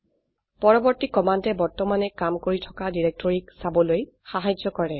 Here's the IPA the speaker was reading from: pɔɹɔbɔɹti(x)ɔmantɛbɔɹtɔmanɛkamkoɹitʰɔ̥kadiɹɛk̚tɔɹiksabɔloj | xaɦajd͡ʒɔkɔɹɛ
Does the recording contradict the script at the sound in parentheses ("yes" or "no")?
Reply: yes